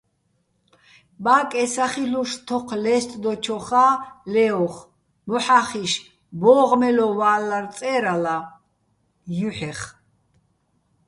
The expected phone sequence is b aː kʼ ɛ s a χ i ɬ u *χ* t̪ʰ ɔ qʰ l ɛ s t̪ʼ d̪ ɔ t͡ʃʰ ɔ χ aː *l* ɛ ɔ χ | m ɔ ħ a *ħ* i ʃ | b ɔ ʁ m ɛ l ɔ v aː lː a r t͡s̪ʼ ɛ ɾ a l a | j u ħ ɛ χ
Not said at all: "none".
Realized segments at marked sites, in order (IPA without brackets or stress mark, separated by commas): ʃ, l, χ